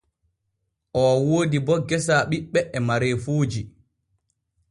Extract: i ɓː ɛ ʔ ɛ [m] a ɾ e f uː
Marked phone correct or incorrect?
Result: correct